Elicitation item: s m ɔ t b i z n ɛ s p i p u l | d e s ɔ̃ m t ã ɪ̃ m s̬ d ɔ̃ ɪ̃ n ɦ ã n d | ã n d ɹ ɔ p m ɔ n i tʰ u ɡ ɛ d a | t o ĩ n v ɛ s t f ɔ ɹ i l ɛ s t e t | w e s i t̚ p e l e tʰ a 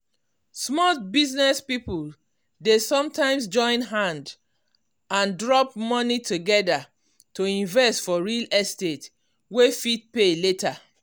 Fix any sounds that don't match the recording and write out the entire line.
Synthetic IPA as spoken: s m ɔ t b i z n ɛ s p i p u l | d e s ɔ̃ m t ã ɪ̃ m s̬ d͡ʒ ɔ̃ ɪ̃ n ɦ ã n d | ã n d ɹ ɔ p m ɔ n i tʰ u ɡ ɛ d a | t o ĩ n v ɛ s t f ɔ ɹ i l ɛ s t e t | w e f i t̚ p e l e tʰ a

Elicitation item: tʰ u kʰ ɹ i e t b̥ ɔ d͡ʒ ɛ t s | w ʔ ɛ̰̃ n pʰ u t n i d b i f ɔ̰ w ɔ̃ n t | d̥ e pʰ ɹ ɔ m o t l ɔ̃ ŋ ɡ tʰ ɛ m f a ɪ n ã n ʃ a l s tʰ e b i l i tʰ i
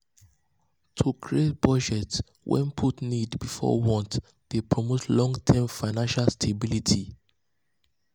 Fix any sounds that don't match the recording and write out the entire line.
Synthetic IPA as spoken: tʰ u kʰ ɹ i e t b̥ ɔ d͡ʒ ɛ t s | w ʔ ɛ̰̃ n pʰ u t n i d b i f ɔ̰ w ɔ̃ n t | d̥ e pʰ ɹ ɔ m o t l ɔ̃ ŋ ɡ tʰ ɛ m f a ɪ n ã n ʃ a l s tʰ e b i l i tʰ i

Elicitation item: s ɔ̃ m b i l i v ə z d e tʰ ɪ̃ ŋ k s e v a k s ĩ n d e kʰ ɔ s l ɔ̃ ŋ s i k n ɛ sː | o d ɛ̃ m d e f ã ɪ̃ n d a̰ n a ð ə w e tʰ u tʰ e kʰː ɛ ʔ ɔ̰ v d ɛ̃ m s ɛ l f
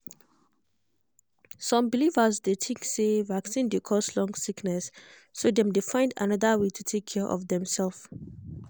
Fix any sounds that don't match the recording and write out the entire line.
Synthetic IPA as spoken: s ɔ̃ m b i l i v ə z d e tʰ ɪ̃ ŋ k s e v a k s ĩ n d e kʰ ɔ s l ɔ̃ ŋ s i k n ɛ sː | o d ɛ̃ m d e f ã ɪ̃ n d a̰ n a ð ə w e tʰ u tʰ e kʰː ɛ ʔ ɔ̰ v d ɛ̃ m s ɛ l f

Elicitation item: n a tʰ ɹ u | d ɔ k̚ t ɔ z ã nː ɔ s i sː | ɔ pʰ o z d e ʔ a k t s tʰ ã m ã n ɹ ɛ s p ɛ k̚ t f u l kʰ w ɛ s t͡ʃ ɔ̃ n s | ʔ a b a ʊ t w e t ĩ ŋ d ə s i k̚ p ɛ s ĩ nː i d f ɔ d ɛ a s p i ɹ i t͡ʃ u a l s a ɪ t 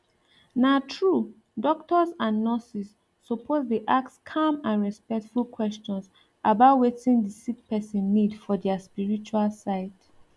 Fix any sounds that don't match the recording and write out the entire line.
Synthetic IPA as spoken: n a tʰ ɹ u | d ɔ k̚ t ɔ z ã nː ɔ s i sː | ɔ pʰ o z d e ʔ a k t s kʰ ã m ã n ɹ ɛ s p ɛ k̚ t f u l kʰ w ɛ s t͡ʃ ɔ̃ n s | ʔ a b a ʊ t w e t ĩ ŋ d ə s i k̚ p ɛ s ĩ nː i d f ɔ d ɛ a s p i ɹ i t͡ʃ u a l s a ɪ t

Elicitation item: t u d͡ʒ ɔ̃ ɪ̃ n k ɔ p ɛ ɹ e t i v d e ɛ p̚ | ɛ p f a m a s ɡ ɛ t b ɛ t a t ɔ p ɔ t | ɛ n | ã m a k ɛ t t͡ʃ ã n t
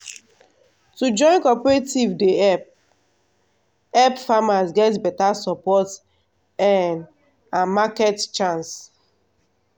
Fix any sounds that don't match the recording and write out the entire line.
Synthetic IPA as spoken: t u d͡ʒ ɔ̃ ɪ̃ n k ɔ p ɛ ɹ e t i v d e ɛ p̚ | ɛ p f a m a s ɡ ɛ t b ɛ t a s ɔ p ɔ t | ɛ n | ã m a k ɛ t t͡ʃ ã n s

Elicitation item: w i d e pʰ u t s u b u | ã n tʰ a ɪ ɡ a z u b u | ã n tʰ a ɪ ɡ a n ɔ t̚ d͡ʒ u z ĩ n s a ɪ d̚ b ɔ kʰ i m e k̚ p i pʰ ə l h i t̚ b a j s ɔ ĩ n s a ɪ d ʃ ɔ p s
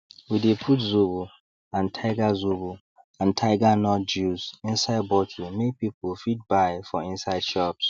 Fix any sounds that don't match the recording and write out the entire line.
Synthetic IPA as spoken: w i d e pʰ u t z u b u | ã n tʰ a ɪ ɡ a z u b u | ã n tʰ a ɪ ɡ a n ɔ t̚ d͡ʒ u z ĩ n s a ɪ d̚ b ɔ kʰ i m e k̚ p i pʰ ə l f i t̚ b a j f ɔ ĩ n s a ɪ d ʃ ɔ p s

